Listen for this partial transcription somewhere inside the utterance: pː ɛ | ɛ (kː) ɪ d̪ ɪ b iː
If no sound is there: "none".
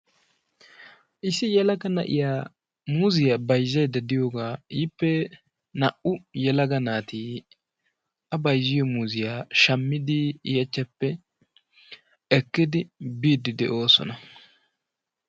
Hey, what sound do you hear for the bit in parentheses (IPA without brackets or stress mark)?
kː